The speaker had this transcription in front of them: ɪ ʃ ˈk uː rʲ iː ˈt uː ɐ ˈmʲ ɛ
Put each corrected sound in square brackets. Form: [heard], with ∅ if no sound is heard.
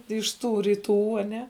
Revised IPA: ɪ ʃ [ˈt] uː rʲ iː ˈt uː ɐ [ˈnʲ] ɛ